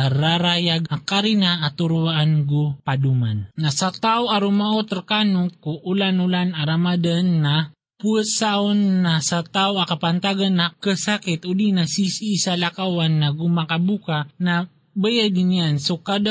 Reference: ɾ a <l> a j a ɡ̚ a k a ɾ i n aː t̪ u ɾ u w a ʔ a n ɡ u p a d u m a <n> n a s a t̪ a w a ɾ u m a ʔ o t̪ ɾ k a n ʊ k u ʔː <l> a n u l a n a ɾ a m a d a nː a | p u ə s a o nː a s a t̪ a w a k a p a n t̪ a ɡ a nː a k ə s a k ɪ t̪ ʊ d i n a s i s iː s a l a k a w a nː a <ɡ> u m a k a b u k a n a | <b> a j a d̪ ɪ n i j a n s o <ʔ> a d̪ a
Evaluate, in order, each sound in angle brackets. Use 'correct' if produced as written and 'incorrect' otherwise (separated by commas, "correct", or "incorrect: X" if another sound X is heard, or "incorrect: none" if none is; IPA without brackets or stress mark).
incorrect: ɾ, correct, correct, correct, correct, incorrect: k